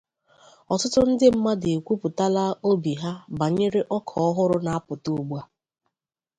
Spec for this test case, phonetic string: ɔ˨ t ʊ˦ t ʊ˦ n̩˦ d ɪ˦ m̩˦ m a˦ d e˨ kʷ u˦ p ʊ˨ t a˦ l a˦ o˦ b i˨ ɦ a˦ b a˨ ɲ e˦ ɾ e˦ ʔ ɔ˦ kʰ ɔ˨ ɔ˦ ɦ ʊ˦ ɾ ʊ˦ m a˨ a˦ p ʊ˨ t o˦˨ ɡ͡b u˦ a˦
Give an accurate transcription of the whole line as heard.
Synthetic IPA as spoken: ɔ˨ t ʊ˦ t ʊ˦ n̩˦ d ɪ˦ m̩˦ m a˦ d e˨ kʷ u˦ p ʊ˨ t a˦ l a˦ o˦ b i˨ ɦ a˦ b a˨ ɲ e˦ ɾ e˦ ʔ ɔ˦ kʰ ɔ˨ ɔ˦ ɦ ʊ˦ ɾ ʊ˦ n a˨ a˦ p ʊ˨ t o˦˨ ɡ͡b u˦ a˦